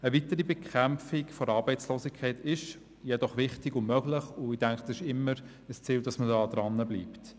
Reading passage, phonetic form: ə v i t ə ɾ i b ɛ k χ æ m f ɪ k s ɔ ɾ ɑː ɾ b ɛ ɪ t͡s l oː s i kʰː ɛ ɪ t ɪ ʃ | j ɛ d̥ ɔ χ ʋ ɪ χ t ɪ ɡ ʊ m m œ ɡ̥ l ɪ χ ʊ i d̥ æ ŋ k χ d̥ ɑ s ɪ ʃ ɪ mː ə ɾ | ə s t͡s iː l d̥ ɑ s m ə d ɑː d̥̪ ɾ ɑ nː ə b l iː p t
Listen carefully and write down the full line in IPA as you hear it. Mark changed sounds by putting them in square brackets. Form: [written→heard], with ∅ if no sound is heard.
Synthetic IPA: ə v i t ə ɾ i b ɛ k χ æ m f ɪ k [s→f] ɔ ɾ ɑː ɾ b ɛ ɪ t͡s l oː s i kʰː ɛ ɪ t ɪ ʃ | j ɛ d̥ ɔ χ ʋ ɪ χ t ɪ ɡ ʊ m m œ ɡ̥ l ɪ χ ʊ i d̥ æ ŋ k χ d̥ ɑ s ɪ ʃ ɪ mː ə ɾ | ə s t͡s iː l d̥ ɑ s m ə d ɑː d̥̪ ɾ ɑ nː ə b l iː p t

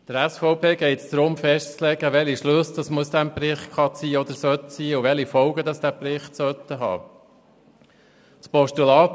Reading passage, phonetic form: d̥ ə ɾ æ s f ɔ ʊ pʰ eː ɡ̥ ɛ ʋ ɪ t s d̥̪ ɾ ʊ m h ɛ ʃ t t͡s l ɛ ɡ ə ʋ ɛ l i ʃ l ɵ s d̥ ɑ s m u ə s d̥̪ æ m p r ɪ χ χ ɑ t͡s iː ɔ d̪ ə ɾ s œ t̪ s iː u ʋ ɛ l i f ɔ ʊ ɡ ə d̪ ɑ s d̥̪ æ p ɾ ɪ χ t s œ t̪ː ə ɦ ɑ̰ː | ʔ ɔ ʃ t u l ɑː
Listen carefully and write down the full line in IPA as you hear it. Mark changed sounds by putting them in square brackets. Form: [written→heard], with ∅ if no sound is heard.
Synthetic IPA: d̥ ə ɾ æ s f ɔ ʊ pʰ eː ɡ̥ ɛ [ʋ→∅] ɪ t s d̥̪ ɾ ʊ m [h→f] ɛ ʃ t t͡s l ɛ ɡ ə ʋ ɛ l i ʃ l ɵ s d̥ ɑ s m u ə s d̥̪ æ m p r ɪ χ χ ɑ t͡s iː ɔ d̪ ə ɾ s œ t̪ s iː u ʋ ɛ l i f ɔ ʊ ɡ ə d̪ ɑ s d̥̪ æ p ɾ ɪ χ t s œ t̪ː ə ɦ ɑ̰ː | [ʔ→p] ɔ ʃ t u l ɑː

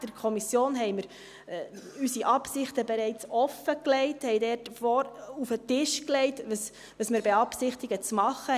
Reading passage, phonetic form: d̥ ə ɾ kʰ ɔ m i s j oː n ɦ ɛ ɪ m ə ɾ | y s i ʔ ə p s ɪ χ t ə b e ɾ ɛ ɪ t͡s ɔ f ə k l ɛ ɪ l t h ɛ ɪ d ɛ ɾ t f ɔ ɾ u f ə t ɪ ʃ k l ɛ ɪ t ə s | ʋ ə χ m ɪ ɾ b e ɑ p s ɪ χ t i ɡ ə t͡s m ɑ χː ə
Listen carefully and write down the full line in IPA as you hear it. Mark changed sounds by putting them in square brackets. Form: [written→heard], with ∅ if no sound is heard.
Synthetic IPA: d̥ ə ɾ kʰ ɔ m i s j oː n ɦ ɛ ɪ m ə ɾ | y s i ʔ [ə→ɑ] p s ɪ χ t ə b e ɾ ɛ ɪ t͡s ɔ f ə k l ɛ ɪ [l→∅] t h ɛ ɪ d ɛ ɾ t f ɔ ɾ u f ə t ɪ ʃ k l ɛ ɪ t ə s | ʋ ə [χ→s] m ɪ ɾ b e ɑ p s ɪ χ t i ɡ ə t͡s m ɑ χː ə

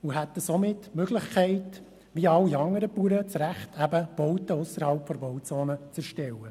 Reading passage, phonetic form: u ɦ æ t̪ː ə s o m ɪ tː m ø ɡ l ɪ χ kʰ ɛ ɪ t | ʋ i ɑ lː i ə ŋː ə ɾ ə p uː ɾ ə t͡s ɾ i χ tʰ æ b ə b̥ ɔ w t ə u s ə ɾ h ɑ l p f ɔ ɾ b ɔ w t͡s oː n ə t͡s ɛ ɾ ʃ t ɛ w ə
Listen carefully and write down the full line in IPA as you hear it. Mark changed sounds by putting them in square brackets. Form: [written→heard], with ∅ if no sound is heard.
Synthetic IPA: u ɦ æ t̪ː ə s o m ɪ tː m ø ɡ l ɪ χ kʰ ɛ ɪ t | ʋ i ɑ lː i [ə→ɑ] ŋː ə ɾ ə p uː ɾ ə t͡s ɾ [i→æ] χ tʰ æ b ə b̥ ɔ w t ə [u→ʊ] s ə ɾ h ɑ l p f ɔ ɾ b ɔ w t͡s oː n ə t͡s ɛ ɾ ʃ t ɛ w ə

